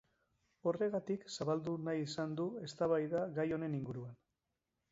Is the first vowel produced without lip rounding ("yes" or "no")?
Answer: no